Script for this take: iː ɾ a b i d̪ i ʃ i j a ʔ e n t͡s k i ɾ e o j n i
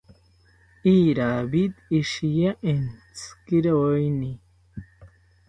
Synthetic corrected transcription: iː ɾ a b i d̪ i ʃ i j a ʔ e n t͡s k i ɾ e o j n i